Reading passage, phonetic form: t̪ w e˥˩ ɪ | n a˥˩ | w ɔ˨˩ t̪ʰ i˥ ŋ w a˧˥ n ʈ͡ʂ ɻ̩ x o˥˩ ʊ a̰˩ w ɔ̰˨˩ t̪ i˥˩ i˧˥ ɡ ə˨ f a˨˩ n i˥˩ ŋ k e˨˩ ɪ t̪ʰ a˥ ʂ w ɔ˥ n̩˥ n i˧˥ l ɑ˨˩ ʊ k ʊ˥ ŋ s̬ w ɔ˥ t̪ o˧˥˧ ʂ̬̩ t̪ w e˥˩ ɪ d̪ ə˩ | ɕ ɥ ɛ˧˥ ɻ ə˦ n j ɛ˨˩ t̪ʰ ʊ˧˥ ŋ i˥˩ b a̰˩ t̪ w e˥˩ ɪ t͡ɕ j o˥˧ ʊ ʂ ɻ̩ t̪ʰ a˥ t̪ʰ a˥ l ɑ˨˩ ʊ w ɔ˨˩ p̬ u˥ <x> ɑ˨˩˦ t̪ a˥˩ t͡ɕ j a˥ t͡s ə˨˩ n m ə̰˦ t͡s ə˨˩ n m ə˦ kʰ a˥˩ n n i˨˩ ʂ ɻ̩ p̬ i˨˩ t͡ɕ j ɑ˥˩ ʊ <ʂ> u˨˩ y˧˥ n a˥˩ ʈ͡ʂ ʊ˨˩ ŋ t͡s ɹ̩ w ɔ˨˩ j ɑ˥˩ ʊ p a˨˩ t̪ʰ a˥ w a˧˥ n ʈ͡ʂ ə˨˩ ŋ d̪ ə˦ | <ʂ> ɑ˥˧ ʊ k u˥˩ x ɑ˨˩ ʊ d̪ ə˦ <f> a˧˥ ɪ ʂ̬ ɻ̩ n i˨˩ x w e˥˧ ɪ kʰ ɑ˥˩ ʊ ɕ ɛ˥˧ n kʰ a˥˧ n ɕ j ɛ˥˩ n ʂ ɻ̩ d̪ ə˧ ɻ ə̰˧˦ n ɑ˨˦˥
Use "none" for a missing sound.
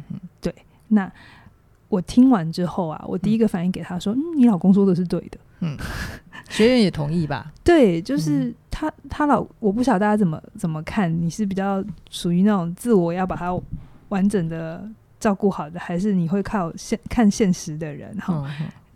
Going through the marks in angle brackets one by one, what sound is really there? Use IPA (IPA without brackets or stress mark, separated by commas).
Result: ɕ, ʂ, ʈ͡ʂ, x